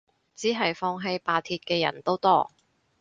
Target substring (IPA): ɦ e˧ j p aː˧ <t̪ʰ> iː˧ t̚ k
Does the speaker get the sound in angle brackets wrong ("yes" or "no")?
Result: no